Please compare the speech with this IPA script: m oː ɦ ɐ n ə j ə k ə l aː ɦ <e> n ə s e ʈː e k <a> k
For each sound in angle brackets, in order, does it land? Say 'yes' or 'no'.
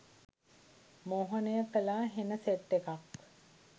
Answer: yes, yes

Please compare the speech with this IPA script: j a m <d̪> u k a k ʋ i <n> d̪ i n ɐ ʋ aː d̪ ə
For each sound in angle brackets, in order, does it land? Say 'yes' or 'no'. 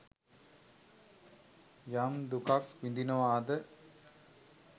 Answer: yes, yes

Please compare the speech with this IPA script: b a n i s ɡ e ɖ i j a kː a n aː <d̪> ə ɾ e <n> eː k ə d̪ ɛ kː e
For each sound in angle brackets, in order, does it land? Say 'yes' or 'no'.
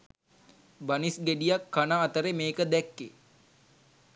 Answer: no, no

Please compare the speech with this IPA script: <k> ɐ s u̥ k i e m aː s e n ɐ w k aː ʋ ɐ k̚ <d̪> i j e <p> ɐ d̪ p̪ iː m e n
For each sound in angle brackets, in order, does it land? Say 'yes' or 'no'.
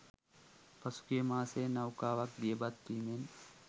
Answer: no, yes, no

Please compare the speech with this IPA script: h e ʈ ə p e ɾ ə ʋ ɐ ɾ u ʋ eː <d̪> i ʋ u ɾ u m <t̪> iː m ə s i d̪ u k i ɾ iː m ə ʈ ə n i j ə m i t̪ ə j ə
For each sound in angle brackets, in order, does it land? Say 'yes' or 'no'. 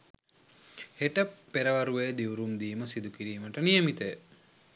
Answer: yes, no

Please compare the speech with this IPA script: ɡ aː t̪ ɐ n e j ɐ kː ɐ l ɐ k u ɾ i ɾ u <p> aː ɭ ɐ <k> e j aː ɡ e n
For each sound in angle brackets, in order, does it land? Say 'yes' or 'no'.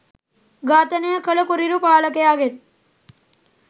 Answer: yes, yes

